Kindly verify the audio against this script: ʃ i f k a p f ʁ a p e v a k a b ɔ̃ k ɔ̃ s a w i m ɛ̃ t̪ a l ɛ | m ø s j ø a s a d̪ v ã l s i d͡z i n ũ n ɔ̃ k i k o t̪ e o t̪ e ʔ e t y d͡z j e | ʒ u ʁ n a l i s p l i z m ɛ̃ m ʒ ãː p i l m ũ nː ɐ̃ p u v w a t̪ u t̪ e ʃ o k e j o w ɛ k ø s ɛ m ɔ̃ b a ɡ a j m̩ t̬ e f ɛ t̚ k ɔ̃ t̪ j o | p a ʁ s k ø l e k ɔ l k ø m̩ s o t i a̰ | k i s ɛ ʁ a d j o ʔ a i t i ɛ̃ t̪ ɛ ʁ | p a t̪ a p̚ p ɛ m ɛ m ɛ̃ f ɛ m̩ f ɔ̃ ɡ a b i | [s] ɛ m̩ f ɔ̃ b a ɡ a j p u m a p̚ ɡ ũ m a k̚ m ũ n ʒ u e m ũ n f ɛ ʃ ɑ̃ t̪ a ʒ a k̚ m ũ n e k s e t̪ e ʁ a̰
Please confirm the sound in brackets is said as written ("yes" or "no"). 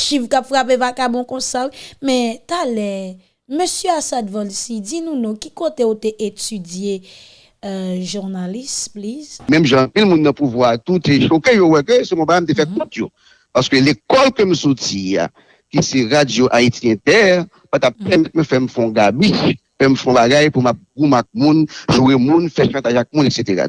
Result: no